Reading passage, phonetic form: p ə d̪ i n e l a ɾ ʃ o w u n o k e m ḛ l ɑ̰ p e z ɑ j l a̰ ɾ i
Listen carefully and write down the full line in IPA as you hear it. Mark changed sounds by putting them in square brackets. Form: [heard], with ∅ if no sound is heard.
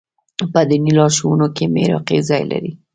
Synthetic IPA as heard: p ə d̪ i n [i] l [ɑ] ɾ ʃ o w u n o k e m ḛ [ɾ] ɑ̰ [q] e z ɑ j l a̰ ɾ i